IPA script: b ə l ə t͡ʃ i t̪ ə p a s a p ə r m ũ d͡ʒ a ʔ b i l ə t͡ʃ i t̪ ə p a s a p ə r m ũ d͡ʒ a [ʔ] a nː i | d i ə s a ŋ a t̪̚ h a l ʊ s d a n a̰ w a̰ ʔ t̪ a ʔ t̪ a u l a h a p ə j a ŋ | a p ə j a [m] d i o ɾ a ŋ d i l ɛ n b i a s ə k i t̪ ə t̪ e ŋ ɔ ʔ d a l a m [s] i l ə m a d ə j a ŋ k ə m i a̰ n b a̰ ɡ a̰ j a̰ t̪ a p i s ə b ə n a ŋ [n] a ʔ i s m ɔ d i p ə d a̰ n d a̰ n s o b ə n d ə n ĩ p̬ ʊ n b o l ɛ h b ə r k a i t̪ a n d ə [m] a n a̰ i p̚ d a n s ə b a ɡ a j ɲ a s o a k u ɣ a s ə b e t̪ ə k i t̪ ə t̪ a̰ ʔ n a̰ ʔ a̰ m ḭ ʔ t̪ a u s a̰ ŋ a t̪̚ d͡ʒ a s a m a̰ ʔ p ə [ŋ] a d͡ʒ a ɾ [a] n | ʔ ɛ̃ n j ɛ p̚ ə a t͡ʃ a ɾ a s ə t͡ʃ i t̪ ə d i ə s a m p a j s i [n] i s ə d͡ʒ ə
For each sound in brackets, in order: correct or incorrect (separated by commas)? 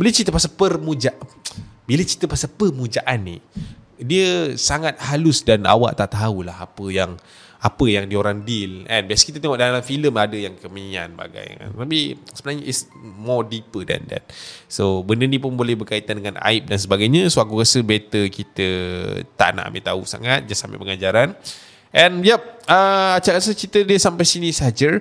correct, incorrect, incorrect, incorrect, incorrect, correct, correct, correct